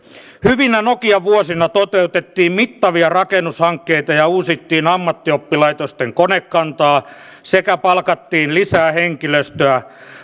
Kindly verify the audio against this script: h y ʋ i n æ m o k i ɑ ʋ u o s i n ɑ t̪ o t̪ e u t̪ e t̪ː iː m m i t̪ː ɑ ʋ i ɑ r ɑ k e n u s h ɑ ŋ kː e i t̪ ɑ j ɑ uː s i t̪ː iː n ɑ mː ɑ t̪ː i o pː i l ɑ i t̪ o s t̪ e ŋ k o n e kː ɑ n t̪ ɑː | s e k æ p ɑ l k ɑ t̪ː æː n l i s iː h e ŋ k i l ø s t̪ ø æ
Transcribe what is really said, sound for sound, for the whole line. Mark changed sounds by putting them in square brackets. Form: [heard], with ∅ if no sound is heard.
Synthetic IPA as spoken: h y ʋ i n æ [n] o k i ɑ ʋ u o s i n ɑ t̪ o t̪ e u t̪ e t̪ː iː m m i t̪ː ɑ ʋ i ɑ r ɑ k e n u s h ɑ ŋ kː e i t̪ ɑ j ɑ uː s i t̪ː iː n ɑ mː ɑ t̪ː i o pː i l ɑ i t̪ o s t̪ e ŋ k o n e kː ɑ n t̪ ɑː | s e k æ p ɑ l k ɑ t̪ː [iː] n l i s [æː] h e ŋ k i l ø s t̪ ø æ